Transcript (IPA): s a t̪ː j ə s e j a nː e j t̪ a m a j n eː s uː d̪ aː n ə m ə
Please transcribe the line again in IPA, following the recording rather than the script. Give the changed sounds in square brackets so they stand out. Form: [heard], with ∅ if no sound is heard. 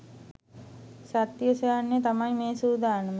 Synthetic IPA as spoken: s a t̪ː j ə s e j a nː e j t̪ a m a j [m] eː s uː d̪ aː n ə m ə